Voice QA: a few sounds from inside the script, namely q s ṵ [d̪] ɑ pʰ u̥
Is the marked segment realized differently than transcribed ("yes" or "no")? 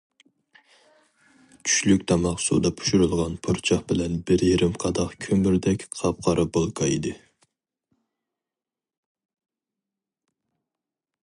no